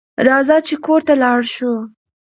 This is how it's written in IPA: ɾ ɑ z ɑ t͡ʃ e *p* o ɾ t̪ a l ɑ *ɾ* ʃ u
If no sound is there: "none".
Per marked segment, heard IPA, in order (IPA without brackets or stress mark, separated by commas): k, ɽ